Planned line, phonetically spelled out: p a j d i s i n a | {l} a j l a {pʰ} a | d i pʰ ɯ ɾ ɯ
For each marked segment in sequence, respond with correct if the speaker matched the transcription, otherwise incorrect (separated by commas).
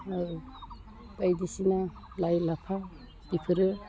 correct, correct